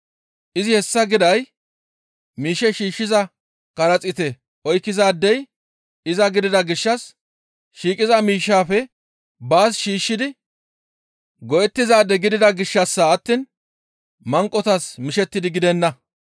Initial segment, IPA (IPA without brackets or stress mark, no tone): ʔ